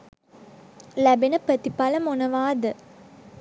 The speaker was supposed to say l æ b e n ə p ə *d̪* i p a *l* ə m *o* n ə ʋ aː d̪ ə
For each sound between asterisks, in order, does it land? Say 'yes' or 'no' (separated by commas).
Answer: no, yes, yes